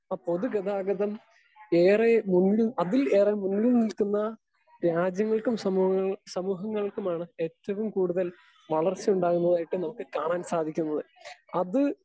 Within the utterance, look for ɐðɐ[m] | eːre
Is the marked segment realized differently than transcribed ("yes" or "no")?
no